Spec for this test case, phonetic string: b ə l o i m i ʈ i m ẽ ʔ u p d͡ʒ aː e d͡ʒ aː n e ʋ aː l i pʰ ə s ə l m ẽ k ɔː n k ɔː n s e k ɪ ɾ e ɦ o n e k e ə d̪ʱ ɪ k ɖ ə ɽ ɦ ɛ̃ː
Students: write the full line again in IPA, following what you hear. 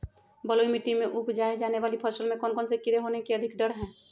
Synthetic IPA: b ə l o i m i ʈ i m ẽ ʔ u p d͡ʒ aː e d͡ʒ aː n e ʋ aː l i pʰ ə s ə l m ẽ k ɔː n k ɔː n s e k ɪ ɾ e ɦ o n e k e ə d̪ʱ ɪ k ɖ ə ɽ ɦ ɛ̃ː